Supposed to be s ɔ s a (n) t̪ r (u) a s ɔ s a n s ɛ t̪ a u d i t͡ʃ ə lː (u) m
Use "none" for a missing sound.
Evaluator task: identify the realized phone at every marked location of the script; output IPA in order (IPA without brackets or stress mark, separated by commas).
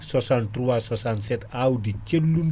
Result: n, u, u